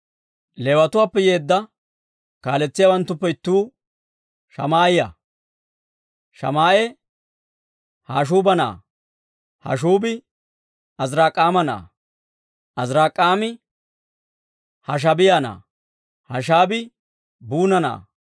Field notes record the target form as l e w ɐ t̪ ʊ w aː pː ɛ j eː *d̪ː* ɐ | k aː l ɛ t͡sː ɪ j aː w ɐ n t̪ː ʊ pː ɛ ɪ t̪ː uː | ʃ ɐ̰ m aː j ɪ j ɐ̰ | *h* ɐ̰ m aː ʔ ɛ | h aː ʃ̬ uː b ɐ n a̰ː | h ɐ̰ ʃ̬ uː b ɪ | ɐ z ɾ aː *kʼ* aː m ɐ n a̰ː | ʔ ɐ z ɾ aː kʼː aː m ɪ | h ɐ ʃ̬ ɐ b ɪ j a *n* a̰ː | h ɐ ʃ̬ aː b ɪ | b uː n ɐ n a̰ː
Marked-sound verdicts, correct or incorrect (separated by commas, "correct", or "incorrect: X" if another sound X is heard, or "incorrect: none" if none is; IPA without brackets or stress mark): correct, incorrect: ʃ, correct, correct